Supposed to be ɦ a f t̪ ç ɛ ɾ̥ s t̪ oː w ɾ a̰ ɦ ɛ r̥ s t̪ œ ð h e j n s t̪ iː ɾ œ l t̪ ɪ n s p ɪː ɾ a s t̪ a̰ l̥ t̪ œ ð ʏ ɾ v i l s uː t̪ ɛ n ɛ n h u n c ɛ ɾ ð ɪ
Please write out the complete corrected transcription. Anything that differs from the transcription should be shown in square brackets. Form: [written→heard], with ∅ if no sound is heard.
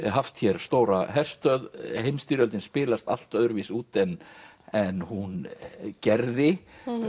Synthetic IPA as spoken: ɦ a f t̪ ç ɛ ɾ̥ s t̪ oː w ɾ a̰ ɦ ɛ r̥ s t̪ œ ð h e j [n→m] s t̪ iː ɾ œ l t̪ ɪ n s p ɪː [ɾ→l] a s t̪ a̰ l̥ t̪ œ ð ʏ ɾ v i [l→∅] s uː t̪ ɛ n ɛ n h u n c ɛ ɾ ð ɪ

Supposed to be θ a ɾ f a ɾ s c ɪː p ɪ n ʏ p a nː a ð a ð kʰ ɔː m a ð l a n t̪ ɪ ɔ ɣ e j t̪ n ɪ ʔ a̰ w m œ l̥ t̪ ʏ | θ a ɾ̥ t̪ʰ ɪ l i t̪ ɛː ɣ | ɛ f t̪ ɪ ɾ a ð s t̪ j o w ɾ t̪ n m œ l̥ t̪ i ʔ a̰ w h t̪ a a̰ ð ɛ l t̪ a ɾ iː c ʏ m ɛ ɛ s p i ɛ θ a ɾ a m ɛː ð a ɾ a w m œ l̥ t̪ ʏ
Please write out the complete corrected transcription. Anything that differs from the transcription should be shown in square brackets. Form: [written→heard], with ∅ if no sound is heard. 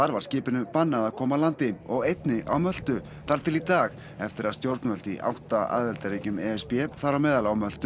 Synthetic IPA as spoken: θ a ɾ [f→v] a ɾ s c ɪː p ɪ n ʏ p a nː a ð a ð kʰ ɔː m a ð l a n t̪ ɪ ɔ ɣ e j t̪ n ɪ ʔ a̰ w m œ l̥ t̪ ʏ | θ a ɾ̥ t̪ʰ ɪ l i t̪ [ɛː→aː] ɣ | ɛ f t̪ ɪ ɾ a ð s t̪ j o w ɾ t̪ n m œ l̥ t̪ i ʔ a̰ w h t̪ a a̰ ð ɛ l t̪ a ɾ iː c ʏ m ɛ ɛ s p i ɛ θ a ɾ a m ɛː ð a [ɾ→l] a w m œ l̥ t̪ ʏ

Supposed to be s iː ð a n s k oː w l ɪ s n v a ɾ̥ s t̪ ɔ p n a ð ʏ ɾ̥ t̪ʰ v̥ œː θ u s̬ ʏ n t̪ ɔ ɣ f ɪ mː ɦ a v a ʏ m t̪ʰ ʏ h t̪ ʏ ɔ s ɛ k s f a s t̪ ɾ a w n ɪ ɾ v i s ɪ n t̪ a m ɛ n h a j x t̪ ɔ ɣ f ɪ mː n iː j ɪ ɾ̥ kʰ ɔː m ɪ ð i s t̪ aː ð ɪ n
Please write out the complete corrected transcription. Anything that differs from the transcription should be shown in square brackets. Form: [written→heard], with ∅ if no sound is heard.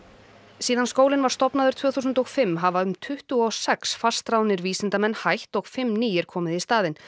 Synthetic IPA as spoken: s iː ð a n s k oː w l ɪ [s→∅] n v a ɾ̥ s t̪ ɔ p n a ð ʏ ɾ̥ t̪ʰ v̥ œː θ u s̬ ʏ n t̪ ɔ ɣ f ɪ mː ɦ a v a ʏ m t̪ʰ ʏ h t̪ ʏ ɔ s ɛ k s f a s t̪ ɾ a w n ɪ ɾ v [i→iː] s ɪ n t̪ a m ɛ n h a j [x→h] t̪ ɔ ɣ f ɪ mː n iː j ɪ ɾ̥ kʰ ɔː m ɪ ð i s t̪ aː ð ɪ n

